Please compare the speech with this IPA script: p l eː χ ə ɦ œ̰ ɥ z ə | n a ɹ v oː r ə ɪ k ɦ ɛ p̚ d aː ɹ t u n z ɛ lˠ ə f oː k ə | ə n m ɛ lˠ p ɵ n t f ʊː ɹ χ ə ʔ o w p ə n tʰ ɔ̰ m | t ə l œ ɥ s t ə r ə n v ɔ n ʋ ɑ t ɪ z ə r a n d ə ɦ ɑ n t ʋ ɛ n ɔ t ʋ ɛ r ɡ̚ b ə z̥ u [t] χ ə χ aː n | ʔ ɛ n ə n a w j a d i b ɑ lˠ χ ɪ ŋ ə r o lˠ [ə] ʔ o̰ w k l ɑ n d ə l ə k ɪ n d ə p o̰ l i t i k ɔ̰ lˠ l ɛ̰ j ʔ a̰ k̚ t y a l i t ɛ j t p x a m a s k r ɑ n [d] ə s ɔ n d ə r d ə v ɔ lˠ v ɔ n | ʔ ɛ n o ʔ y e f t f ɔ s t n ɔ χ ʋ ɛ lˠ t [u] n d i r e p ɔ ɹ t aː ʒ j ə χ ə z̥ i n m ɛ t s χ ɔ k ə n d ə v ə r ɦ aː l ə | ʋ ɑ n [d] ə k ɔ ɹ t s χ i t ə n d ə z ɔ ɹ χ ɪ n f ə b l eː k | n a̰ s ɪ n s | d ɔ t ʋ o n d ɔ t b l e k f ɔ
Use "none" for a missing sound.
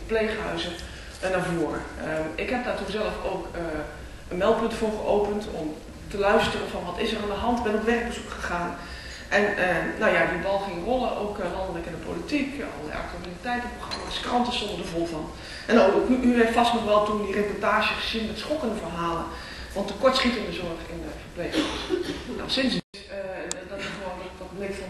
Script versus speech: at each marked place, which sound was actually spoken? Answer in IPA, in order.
k, ə, t, u, t

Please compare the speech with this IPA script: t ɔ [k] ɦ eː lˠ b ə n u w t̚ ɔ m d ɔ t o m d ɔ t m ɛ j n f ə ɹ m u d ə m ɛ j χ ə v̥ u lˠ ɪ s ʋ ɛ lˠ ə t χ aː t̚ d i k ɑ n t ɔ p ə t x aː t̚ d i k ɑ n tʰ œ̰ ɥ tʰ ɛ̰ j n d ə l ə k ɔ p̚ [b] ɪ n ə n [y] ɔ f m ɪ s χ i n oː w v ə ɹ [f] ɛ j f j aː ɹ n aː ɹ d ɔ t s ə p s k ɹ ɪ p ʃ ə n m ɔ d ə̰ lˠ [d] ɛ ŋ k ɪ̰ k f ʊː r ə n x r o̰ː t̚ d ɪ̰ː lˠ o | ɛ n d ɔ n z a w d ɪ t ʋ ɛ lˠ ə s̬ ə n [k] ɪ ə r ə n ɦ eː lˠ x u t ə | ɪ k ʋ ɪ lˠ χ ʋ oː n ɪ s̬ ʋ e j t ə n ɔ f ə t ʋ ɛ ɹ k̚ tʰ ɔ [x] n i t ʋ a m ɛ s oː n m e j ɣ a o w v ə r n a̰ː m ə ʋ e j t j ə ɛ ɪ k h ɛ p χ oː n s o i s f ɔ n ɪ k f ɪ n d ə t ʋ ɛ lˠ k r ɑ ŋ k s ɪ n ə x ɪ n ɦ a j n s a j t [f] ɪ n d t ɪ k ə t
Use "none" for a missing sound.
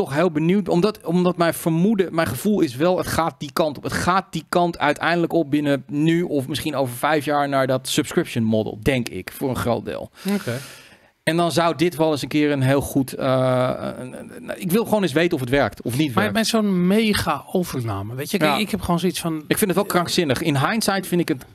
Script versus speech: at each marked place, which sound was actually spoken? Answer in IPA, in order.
x, b, y, f, d, k, f, f

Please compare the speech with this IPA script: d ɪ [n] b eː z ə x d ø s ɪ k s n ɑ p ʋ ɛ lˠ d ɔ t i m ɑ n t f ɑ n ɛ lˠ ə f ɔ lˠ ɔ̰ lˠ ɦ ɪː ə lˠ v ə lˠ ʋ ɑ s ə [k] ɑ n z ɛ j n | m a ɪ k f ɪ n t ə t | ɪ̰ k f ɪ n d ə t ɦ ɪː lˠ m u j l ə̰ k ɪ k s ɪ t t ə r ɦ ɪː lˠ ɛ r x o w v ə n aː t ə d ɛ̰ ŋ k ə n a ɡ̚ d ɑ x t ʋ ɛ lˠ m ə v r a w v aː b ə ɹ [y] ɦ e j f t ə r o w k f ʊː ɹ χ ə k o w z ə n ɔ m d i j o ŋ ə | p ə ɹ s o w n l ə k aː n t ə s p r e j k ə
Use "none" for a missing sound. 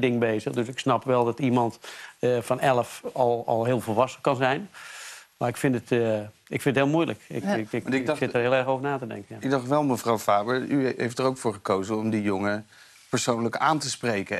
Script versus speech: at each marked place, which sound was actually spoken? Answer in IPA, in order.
ŋ, k, y

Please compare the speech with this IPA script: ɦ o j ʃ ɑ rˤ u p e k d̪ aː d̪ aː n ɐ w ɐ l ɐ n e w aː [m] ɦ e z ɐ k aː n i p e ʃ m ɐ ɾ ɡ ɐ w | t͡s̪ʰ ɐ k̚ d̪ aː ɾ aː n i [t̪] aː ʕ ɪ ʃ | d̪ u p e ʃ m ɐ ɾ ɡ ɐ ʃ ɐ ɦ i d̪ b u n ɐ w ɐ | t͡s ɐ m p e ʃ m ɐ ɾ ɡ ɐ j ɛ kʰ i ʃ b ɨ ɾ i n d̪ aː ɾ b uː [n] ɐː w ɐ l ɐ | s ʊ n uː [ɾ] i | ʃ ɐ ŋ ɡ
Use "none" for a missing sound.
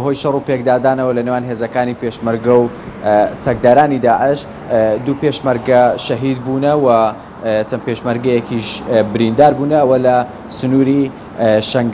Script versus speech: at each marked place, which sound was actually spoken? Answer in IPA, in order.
n, d̪, n, ɾ

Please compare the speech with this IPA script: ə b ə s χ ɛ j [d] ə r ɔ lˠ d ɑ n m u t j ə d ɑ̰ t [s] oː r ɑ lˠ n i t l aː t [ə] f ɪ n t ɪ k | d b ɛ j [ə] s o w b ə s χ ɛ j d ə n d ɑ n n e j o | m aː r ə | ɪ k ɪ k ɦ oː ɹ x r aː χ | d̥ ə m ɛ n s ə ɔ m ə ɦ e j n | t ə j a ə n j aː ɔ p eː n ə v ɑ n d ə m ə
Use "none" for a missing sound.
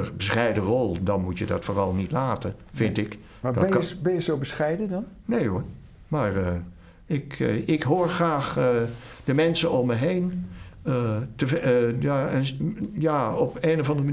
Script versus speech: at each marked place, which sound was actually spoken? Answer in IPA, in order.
d, f, ə, ə

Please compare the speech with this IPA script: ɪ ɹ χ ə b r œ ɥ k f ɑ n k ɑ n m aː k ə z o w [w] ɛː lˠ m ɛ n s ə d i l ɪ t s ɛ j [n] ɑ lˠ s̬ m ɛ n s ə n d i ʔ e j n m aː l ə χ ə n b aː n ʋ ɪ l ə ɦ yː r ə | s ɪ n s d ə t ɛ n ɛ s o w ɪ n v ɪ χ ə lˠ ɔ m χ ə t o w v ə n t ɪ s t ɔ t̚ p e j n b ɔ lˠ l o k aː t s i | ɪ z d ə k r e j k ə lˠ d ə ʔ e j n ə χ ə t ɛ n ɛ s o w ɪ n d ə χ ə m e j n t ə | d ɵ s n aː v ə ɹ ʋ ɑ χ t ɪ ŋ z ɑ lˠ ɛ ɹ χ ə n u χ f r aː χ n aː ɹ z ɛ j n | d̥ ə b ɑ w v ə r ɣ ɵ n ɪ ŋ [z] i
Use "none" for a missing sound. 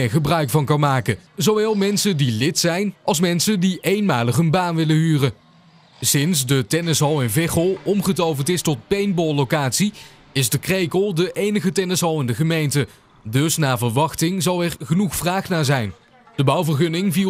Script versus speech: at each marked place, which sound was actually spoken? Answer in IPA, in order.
ʋ, n, v

